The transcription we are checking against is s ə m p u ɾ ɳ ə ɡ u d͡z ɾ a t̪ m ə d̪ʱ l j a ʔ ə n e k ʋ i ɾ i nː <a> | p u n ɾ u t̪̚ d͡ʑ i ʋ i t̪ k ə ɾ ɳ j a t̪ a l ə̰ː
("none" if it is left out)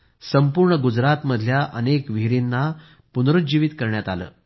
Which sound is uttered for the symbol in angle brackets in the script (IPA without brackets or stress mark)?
a